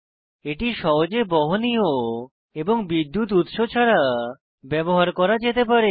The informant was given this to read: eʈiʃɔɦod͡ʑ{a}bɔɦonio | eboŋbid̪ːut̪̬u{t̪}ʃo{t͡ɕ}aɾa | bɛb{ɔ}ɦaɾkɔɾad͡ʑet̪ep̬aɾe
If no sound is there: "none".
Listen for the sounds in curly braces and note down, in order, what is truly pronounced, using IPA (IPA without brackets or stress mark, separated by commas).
e, t̪, t͡ɕʰ, o